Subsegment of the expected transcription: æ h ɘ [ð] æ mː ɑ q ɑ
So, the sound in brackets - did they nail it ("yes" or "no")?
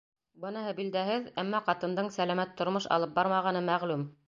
yes